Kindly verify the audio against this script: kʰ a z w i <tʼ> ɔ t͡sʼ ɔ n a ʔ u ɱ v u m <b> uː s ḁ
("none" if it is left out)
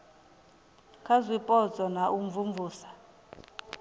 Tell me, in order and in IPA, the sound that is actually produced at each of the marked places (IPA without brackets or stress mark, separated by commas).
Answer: pʼ, v